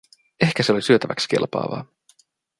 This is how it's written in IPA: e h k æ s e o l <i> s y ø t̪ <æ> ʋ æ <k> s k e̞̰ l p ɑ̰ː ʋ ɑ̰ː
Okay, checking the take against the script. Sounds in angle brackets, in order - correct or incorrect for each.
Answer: correct, correct, correct

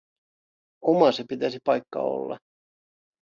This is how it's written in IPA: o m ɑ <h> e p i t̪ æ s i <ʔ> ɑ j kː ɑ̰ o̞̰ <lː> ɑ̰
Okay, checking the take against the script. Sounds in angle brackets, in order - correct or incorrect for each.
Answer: incorrect, incorrect, correct

